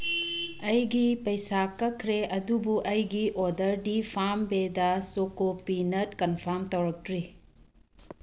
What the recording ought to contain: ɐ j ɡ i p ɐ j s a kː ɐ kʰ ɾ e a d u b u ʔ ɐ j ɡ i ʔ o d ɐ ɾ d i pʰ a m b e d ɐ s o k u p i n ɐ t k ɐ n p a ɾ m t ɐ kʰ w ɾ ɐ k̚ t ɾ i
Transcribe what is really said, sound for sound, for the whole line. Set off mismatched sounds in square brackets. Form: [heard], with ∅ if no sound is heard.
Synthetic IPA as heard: ɐ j ɡ i p ɐ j s a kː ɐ kʰ ɾ e [ɐ] d u b u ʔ ɐ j ɡ i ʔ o d ɐ ɾ d i pʰ a m b e d ɐ s o k [o] p i n ɐ t k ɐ n [pʰ] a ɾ m t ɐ [∅] w ɾ ɐ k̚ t ɾ i